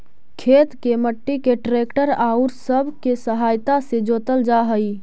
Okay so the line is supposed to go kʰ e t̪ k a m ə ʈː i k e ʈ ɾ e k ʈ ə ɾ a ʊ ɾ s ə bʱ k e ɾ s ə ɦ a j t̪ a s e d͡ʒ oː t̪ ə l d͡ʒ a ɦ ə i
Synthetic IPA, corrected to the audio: kʰ e t̪ k e m ə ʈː i k e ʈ ɾ e k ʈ ə ɾ a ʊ ɾ s ə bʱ k e s ə ɦ a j t̪ a s e d͡ʒ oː t̪ ə l d͡ʒ a ɦ ə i

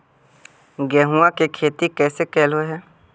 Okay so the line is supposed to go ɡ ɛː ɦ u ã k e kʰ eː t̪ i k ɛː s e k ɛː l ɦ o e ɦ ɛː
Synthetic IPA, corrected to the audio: ɡ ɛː ɦ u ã k e kʰ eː t̪ i k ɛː s e k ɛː l ɦ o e ɦ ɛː

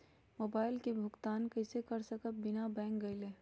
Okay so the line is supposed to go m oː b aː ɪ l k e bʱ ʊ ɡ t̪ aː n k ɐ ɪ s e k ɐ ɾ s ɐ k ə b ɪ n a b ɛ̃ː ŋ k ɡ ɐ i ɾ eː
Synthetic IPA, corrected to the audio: m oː b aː ɪ l k e bʱ ʊ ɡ t̪ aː n k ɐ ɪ s e k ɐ ɾ s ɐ k ə b ɪ n a b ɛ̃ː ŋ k ɡ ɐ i l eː

